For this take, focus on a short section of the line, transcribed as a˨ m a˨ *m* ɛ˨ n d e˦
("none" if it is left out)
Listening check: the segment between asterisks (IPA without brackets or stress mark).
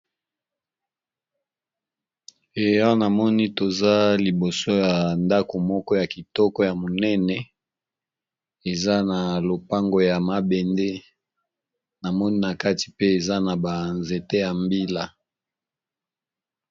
b